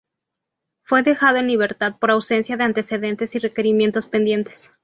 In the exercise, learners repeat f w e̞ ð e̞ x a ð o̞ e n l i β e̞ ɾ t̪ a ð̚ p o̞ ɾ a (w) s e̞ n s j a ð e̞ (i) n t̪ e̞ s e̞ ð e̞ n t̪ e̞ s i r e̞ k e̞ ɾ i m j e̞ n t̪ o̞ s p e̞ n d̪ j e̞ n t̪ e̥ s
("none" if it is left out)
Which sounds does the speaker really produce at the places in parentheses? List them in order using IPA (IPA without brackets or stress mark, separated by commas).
w, a